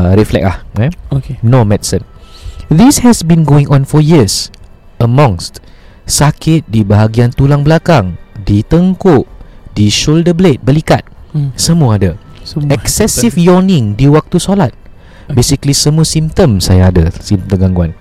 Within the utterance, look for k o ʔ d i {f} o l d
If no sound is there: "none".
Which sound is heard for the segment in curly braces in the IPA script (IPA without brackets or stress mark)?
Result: ʃ